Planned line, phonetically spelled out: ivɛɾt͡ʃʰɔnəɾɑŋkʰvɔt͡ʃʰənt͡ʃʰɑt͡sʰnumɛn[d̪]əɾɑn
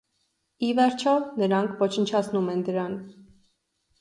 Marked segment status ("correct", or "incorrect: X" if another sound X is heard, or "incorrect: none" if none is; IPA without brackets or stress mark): correct